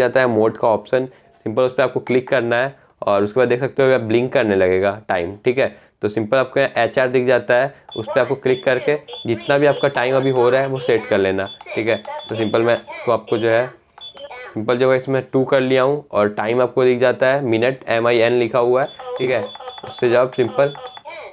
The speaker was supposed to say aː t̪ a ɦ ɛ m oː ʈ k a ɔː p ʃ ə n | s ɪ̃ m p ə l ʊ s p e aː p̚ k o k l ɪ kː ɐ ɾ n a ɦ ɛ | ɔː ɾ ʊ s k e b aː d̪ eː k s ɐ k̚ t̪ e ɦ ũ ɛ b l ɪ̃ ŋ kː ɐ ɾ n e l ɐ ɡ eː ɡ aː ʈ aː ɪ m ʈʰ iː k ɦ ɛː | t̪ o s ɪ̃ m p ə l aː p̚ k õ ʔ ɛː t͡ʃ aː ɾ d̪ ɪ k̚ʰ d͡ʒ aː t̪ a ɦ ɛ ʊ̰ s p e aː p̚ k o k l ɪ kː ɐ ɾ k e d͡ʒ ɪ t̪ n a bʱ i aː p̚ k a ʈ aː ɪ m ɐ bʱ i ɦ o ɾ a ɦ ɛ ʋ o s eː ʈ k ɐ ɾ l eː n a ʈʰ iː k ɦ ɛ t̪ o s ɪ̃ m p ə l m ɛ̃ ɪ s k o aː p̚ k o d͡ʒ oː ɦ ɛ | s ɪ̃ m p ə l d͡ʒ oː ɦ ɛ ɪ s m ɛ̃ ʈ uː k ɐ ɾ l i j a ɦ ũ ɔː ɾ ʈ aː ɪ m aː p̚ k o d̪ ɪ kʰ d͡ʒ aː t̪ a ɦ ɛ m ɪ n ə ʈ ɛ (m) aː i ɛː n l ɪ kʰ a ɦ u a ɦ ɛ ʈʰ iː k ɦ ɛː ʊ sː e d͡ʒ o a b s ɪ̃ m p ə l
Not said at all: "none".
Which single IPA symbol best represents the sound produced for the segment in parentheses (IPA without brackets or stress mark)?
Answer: m